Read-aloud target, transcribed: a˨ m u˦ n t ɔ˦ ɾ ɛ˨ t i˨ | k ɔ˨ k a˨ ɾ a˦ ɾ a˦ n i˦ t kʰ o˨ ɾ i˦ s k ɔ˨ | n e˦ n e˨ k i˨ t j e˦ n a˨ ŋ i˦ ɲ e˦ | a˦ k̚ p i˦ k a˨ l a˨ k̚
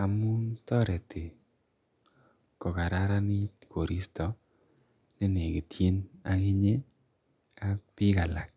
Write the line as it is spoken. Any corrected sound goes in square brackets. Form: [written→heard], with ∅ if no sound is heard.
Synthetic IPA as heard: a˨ m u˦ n t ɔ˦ ɾ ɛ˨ t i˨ | k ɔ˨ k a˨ ɾ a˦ ɾ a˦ n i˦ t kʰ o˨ ɾ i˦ s [k→t] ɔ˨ | n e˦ n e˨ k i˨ t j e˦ n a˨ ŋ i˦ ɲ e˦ | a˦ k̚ p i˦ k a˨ l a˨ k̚